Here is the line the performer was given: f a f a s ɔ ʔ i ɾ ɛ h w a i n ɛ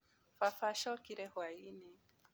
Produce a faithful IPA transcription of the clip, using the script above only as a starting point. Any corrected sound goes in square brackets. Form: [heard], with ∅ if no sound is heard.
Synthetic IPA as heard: f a f a [ʃ] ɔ [k] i ɾ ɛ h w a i n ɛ